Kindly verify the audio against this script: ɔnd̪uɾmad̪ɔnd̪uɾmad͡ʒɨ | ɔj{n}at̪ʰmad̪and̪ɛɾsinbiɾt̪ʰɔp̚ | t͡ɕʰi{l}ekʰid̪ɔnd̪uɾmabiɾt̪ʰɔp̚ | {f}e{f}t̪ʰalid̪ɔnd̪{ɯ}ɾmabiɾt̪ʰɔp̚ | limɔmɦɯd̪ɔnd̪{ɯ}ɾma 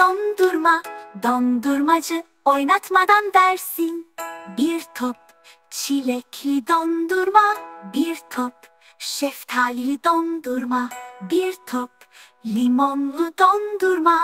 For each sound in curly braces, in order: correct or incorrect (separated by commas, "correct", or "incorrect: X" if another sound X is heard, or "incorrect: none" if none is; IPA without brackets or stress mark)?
correct, correct, incorrect: ʃ, correct, incorrect: u, incorrect: u